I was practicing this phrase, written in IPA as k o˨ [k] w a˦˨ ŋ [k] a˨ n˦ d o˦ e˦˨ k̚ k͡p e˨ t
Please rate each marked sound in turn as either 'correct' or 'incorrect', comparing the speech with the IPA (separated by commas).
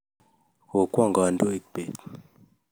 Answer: correct, incorrect